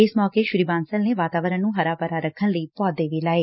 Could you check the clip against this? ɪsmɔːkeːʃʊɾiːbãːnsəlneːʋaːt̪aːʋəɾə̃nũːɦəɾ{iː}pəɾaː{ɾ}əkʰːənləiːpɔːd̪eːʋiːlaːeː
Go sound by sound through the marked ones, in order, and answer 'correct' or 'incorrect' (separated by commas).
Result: incorrect, correct